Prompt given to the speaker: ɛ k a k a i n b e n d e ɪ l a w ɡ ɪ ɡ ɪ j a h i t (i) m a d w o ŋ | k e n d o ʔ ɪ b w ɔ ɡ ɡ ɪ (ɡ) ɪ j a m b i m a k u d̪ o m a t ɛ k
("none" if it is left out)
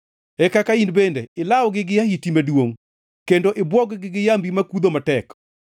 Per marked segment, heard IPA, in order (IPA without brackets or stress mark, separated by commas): i, ɡ